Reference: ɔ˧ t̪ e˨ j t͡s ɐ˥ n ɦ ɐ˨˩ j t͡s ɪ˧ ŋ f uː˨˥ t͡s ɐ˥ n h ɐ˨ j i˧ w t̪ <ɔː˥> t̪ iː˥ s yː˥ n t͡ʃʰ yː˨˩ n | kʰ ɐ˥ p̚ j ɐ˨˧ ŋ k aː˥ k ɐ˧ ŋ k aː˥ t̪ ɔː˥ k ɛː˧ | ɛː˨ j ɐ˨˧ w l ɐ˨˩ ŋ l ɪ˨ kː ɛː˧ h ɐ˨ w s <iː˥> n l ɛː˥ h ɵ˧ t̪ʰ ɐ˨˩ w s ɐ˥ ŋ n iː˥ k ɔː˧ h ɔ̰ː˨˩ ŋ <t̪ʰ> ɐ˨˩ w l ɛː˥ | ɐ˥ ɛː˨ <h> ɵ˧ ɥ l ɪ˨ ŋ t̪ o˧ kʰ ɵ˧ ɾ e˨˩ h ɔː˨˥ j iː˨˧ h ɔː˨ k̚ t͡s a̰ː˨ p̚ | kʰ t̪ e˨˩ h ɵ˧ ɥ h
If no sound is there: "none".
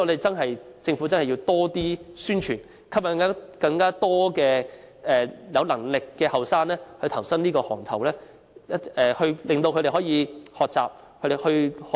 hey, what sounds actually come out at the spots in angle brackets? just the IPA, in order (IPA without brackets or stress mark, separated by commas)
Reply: ɔː˥, aː˥, t̪ʰ, h